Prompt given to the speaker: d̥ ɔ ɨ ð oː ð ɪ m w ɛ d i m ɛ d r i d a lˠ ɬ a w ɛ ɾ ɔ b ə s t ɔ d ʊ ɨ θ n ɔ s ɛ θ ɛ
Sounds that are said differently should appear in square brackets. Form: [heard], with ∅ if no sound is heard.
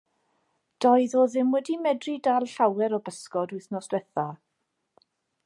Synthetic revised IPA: d̥ ɔ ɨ ð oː ð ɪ m w ɛ d i m ɛ d r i d a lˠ ɬ a w ɛ ɾ ɔ b ə s [k] ɔ d ʊ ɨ θ n ɔ s ɛ θ [a]